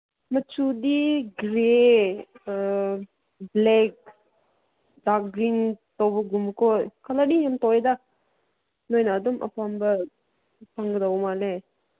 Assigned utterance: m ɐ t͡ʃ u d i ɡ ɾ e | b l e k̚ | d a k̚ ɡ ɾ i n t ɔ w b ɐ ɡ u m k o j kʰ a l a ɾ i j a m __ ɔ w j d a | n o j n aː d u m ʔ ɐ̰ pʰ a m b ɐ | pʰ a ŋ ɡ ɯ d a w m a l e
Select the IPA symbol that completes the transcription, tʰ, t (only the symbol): t